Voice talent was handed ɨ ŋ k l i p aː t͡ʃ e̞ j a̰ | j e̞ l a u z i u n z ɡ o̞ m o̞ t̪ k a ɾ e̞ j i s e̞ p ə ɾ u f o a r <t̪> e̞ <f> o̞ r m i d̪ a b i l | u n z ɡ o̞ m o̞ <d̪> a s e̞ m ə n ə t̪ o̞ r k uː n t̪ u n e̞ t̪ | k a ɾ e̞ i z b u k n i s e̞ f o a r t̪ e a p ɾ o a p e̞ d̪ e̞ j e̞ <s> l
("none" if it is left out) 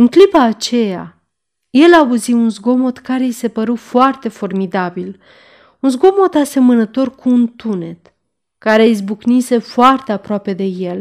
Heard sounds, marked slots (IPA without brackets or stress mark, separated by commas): t̪, f, t̪, none